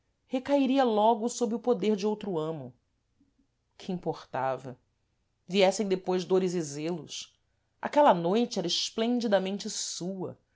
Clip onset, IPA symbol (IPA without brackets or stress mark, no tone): h